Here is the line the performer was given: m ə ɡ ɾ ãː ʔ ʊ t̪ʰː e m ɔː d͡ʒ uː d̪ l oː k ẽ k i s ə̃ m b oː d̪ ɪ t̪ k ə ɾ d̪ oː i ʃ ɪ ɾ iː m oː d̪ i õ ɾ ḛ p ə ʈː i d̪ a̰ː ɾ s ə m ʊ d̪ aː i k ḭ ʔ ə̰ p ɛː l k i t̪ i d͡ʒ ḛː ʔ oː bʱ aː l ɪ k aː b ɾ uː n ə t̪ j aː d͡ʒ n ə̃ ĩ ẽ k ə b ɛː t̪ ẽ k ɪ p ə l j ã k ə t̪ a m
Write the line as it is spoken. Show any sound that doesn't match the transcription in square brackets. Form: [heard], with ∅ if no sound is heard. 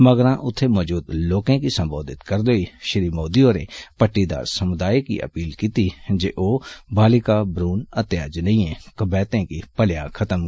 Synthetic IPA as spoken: m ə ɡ ɾ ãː ʔ ʊ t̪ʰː e m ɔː d͡ʒ uː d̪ l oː k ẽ k i s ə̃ m b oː d̪ ɪ t̪ k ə ɾ d̪ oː i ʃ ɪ ɾ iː m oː d̪ i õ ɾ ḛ p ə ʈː i d̪ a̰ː ɾ s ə m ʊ d̪ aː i k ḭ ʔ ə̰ p [iː] l k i t̪ i d͡ʒ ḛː ʔ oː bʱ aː l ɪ k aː b ɾ uː n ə t̪ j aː d͡ʒ n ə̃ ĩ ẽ k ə b ɛː t̪ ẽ k [i] p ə l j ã [kʰ] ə t̪ [ə] m